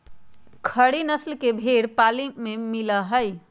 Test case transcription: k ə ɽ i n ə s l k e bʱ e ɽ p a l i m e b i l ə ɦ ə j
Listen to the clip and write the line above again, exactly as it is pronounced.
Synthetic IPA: kʰ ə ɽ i n ə s l k e bʱ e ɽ p a l i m e m i l ə ɦ ə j